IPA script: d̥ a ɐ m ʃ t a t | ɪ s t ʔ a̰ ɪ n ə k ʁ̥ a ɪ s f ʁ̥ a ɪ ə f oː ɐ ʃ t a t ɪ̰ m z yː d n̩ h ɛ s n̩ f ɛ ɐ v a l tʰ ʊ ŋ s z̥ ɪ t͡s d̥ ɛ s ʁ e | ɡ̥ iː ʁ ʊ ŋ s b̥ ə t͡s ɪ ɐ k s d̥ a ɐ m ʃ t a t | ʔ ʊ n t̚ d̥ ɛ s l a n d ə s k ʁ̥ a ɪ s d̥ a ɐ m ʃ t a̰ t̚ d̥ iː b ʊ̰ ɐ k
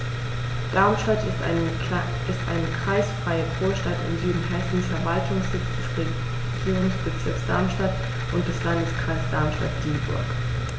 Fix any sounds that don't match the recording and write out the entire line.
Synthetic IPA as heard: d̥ a ɐ m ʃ t a t | ɪ s t ʔ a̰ ɪ n ə k ʁ̥ a ɪ s f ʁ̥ a ɪ ə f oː ɐ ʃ t a t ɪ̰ m z yː d n̩ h ɛ s n̩ f ɛ ɐ v a l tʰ ʊ ŋ s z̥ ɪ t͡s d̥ ɛ s ʁ e | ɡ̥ iː ʁ ʊ ŋ s b̥ ə t͡s ɪ ɐ k s d̥ a ɐ m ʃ t a t | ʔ ʊ n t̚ d̥ ɛ s l a n d ə s k ʁ̥ a ɪ s d̥ a ɐ m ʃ t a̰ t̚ d̥ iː b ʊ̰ ɐ k